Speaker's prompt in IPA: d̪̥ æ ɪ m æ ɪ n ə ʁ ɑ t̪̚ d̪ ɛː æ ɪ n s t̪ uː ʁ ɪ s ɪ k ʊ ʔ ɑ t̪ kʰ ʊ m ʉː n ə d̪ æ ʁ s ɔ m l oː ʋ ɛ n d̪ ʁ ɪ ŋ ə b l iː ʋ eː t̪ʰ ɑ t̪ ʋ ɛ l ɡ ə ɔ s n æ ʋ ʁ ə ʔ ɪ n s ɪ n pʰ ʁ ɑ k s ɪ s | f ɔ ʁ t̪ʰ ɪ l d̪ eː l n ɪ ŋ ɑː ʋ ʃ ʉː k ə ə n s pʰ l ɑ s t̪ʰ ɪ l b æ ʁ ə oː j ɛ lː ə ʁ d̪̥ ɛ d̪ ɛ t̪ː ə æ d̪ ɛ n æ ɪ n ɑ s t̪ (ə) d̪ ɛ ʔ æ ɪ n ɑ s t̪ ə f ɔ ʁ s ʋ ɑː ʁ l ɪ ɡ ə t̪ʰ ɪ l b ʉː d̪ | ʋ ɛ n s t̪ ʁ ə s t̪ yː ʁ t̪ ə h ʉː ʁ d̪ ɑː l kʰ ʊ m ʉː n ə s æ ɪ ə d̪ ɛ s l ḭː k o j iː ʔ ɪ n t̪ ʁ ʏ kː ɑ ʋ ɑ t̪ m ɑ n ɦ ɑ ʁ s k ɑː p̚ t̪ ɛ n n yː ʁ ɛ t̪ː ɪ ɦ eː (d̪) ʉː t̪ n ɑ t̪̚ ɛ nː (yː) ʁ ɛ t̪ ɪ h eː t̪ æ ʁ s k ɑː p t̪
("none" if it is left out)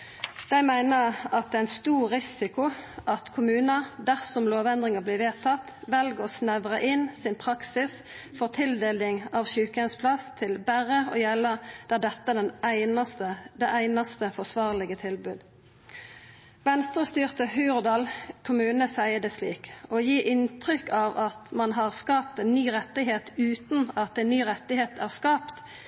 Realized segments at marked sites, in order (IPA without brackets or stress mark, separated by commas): ə, t̪, yː